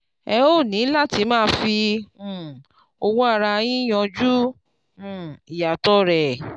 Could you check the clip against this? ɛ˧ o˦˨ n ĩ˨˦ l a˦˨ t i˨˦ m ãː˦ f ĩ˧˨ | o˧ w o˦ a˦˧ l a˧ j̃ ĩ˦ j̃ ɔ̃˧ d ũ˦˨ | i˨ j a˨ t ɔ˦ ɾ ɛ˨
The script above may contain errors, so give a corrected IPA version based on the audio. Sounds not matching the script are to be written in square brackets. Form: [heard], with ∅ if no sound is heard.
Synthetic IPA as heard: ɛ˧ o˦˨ n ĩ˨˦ l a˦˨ t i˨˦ m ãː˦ f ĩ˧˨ | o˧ w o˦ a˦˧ [ɾ] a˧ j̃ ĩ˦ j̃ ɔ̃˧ [d͡ʒ] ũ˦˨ | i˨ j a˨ t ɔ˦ ɾ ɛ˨